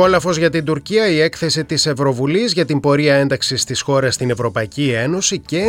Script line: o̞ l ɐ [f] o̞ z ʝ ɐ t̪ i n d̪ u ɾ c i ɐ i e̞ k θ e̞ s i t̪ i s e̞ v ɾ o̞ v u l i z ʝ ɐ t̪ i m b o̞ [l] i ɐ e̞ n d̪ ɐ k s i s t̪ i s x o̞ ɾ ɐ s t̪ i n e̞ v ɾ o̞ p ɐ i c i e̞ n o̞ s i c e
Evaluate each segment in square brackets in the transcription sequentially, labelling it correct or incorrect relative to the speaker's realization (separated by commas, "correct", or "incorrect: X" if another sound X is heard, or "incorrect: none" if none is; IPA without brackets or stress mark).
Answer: correct, incorrect: ɾ